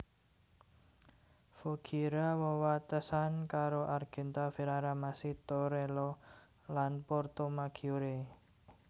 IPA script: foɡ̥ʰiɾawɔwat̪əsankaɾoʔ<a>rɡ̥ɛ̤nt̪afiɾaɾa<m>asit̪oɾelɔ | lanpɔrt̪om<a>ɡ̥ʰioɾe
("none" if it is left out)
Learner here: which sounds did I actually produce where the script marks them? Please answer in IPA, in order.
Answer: a, m, a

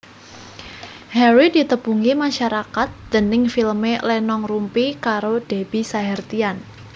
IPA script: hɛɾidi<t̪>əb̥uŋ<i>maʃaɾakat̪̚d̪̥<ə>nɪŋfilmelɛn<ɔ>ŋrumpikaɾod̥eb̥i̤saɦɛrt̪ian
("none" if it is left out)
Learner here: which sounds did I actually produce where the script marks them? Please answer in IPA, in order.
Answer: t̪, i, ə, ɔ

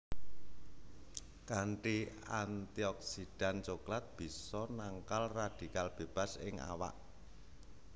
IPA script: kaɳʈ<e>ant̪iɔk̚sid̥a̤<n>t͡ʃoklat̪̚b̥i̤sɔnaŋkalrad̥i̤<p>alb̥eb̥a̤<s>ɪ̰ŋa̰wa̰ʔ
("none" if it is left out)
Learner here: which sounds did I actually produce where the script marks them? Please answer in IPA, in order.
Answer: i, n, k, s

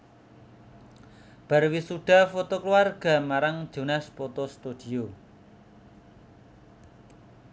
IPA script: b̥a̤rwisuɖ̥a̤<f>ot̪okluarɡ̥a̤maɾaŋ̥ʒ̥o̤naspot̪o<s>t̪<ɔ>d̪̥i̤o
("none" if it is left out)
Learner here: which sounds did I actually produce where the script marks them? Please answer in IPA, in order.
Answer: f, s, u

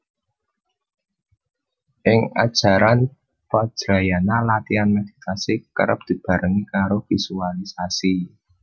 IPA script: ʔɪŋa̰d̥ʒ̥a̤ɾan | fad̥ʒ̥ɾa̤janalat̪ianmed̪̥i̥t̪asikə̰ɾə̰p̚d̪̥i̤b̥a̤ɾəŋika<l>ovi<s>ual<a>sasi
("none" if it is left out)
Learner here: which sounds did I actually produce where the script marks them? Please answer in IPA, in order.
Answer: ɾ, s, i

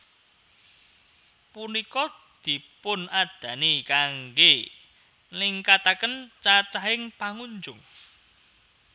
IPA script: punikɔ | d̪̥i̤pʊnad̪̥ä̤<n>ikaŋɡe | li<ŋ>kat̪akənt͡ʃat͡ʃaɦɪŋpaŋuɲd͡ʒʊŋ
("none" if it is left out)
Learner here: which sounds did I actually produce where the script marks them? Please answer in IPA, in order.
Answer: n, ŋ

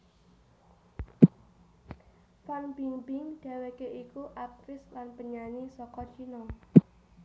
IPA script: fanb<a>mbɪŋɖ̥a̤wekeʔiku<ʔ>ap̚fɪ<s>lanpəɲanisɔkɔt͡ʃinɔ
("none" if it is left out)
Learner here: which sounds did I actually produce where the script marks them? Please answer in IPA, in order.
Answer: i, ʔ, s

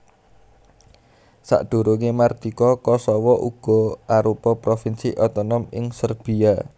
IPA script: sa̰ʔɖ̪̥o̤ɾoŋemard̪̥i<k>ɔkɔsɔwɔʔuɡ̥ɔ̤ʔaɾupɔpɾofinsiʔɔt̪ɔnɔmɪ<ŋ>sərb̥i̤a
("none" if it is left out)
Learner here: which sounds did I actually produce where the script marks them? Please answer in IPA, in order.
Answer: k, ŋ

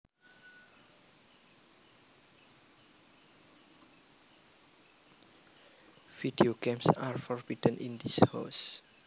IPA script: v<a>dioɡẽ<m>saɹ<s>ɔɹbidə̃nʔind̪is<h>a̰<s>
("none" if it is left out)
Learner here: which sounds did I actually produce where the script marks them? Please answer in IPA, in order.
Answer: i, m, f, h, s

